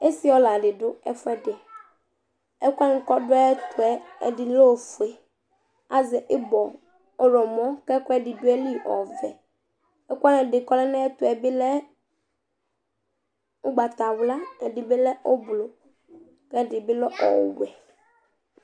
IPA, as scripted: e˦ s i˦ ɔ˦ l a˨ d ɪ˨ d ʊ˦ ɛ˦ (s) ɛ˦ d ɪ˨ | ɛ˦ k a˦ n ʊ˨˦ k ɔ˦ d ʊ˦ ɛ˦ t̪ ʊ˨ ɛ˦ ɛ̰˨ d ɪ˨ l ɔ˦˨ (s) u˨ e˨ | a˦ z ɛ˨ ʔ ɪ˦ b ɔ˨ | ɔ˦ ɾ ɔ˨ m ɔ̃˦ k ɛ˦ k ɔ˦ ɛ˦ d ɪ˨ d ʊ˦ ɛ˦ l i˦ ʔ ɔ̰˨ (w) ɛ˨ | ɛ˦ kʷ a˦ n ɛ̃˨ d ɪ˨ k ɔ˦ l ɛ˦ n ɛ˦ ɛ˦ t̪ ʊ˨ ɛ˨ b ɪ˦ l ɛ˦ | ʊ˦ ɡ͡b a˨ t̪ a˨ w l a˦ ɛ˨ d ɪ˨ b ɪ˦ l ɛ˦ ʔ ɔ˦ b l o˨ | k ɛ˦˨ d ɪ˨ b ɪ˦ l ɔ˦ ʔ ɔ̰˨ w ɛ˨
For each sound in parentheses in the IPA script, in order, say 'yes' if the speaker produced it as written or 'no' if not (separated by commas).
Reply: no, no, no